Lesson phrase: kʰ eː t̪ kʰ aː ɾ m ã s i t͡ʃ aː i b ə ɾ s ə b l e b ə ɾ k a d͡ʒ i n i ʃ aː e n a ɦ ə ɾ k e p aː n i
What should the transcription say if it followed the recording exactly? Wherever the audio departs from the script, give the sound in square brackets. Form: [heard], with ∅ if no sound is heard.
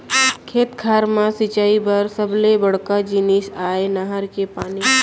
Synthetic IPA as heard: kʰ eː t̪ kʰ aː ɾ m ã s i t͡ʃ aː i b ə ɾ s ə b l e b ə [ɽ] k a d͡ʒ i n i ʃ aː e n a ɦ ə ɾ k e p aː n i